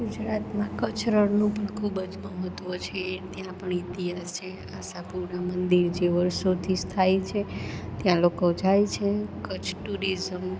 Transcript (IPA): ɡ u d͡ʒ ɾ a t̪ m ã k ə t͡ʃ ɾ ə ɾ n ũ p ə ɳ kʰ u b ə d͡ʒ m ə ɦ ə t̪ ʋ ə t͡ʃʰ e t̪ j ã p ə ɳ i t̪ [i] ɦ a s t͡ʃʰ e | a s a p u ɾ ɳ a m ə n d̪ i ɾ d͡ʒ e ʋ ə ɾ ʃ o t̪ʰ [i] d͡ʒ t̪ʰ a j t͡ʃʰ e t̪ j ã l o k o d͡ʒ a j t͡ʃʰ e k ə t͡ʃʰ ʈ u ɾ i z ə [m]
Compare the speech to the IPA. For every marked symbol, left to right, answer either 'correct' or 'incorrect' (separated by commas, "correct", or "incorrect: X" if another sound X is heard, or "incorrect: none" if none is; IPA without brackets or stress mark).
correct, correct, correct